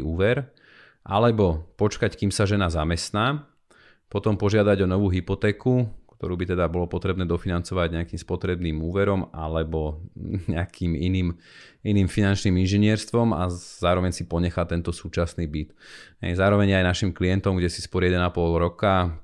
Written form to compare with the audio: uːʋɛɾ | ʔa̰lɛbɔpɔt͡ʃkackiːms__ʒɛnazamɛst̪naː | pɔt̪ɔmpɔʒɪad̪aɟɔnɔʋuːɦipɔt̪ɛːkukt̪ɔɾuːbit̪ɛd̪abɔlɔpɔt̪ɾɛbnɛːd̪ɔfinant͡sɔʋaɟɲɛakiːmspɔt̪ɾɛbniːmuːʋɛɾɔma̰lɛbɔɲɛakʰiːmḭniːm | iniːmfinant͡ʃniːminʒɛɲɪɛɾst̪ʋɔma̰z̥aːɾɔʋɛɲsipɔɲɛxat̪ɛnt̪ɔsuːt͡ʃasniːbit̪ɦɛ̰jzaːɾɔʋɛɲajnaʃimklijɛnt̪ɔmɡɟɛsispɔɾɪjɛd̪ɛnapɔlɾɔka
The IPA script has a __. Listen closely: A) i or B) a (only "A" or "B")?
B